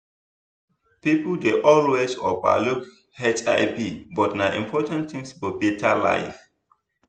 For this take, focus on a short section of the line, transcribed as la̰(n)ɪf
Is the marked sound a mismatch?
yes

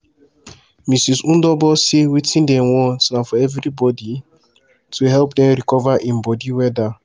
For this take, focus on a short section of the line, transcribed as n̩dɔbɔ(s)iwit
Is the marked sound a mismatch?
no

